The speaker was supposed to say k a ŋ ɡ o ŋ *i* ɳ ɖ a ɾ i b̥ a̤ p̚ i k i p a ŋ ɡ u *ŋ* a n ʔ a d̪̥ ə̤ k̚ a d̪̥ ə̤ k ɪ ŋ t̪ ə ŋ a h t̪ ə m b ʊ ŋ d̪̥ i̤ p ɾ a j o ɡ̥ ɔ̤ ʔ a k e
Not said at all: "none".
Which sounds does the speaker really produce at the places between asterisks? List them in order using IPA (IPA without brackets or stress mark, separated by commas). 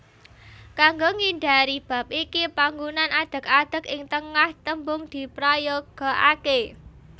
i, n